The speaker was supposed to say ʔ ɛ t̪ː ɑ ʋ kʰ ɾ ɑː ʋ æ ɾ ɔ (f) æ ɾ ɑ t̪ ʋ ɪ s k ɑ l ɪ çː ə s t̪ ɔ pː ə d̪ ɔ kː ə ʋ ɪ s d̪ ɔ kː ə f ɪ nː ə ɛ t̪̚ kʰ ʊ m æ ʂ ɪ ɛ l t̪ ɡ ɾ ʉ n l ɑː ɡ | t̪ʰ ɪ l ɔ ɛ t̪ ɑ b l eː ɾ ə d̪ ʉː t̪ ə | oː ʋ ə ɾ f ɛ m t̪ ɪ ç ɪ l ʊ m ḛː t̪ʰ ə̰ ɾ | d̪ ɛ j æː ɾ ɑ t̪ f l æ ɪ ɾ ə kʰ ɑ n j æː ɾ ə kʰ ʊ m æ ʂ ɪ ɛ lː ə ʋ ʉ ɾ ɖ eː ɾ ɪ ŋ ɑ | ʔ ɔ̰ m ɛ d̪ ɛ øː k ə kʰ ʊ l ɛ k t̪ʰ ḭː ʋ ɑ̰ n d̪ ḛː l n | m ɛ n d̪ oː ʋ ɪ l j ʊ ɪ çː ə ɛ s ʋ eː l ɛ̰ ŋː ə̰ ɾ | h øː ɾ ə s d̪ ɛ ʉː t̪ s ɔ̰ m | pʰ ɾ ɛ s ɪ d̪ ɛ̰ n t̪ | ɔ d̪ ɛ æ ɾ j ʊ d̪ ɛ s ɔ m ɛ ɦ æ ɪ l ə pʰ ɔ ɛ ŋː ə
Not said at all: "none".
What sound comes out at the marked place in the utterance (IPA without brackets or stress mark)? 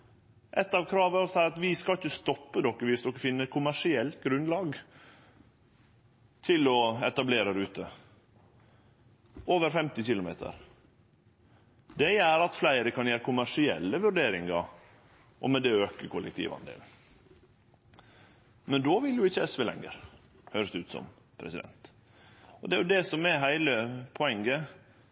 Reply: s